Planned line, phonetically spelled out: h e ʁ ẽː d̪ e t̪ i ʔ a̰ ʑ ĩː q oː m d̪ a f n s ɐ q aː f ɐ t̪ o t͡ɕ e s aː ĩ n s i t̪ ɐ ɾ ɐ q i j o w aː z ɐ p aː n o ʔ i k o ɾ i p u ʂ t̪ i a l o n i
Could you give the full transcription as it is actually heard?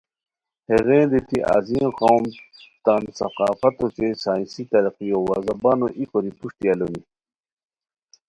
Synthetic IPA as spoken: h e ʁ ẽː d̪ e t̪ i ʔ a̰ z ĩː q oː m t̪ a n s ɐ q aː f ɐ t̪ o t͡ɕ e s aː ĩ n s i t̪ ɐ ɾ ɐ q i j o w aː z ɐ b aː n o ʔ i k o ɾ i p u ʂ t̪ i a l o n i